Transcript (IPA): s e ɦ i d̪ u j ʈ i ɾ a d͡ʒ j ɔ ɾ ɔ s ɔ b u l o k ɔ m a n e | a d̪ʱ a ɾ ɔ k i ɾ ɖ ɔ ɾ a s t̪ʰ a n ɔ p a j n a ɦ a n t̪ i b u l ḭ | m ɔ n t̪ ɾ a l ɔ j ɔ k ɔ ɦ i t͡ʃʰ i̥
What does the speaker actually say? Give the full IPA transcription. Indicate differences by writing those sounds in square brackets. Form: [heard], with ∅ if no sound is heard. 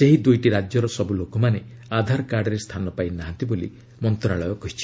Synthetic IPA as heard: s e ɦ i d̪ u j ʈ i ɾ a d͡ʒ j ɔ ɾ ɔ s ɔ b u l o k ɔ m a n e | a d̪ʱ a ɾ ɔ k [a] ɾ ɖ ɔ ɾ [e] s t̪ʰ a n ɔ p a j n a ɦ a n t̪ i b [o] l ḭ | m ɔ n t̪ ɾ a [ɭ] ɔ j ɔ k ɔ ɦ i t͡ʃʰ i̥